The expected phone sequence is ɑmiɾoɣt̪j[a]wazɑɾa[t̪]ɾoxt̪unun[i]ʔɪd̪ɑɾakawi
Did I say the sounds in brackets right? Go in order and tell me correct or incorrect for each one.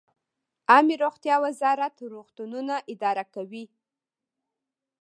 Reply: incorrect, correct, incorrect

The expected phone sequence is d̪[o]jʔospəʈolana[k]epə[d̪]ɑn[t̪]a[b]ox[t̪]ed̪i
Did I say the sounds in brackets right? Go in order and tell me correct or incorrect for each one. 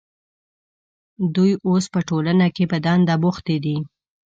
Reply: incorrect, correct, correct, incorrect, correct, correct

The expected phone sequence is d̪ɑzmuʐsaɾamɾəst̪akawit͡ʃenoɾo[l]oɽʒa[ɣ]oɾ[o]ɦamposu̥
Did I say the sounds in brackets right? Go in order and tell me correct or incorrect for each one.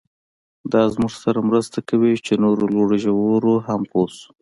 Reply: correct, incorrect, correct

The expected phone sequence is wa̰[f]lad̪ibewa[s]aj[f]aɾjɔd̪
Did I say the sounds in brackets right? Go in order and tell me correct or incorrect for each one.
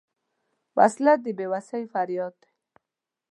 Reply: incorrect, correct, correct

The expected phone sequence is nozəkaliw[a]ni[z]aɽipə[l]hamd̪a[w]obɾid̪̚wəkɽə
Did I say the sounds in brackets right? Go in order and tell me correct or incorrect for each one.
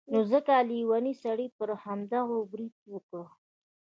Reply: correct, incorrect, incorrect, incorrect

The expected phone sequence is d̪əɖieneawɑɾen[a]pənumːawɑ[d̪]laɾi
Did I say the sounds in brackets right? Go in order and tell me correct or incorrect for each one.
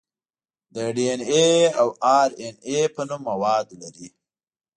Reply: incorrect, correct

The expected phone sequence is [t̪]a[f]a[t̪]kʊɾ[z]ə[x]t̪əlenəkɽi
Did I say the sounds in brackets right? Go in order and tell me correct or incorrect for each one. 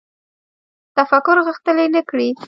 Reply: correct, correct, incorrect, incorrect, correct

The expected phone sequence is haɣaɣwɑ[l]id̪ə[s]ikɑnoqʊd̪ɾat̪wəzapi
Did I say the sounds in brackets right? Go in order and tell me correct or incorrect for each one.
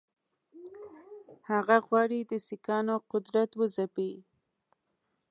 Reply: incorrect, correct

